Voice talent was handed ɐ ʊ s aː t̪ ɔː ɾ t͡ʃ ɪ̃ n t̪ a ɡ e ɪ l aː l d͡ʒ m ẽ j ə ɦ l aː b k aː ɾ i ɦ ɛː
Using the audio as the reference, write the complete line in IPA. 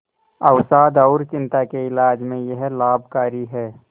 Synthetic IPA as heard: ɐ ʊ s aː d̪ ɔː ɾ t͡ʃ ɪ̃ n t̪ a k e ɪ l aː d͡ʒ m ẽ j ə ɦ l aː b k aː ɾ i ɦ ɛː